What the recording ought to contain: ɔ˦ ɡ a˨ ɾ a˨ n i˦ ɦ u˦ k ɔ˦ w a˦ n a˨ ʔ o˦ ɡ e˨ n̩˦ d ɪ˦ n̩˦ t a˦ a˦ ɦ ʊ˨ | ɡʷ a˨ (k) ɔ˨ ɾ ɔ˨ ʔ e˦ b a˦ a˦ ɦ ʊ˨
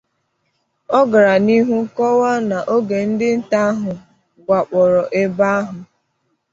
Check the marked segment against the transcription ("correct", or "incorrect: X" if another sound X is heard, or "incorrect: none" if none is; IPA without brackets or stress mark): incorrect: k͡p